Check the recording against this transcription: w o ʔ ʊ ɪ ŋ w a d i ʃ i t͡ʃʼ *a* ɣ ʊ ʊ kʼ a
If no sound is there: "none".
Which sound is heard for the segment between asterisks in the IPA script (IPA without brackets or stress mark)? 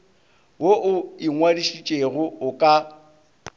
e